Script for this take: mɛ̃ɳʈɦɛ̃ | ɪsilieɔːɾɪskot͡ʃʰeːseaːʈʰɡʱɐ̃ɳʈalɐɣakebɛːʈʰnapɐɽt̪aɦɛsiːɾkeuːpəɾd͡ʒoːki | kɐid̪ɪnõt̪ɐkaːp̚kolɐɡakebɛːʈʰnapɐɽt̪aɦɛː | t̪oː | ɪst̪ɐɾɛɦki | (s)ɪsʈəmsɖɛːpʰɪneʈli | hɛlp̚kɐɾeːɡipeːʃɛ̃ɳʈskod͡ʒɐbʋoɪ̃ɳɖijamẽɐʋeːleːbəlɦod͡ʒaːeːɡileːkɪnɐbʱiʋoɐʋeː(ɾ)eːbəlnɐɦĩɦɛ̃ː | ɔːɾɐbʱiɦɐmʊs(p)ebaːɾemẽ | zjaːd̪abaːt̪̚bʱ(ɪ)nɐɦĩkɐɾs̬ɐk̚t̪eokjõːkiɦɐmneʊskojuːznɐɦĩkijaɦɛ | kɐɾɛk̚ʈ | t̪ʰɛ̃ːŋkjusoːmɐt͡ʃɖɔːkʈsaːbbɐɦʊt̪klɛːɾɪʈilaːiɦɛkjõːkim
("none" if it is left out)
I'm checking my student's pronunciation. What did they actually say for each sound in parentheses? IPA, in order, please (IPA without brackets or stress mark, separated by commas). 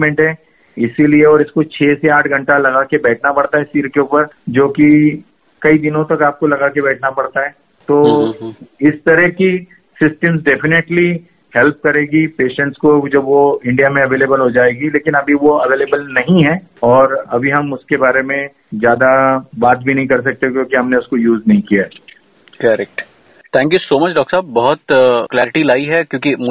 s, l, k, i